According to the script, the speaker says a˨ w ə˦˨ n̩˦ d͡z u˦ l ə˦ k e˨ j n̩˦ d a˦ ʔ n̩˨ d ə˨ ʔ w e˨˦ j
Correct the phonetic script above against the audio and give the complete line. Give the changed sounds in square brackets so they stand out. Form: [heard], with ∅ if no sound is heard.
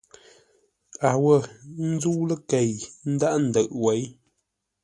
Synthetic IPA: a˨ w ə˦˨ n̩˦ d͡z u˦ l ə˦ k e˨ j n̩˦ d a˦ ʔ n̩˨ d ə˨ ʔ w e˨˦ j